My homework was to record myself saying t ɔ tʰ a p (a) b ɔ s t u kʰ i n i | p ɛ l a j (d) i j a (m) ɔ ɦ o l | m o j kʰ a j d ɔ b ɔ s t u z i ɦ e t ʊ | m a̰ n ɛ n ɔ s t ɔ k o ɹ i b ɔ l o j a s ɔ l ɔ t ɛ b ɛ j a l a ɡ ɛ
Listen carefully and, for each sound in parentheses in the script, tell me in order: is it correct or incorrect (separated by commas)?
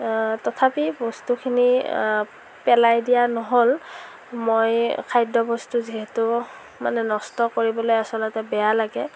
incorrect, correct, incorrect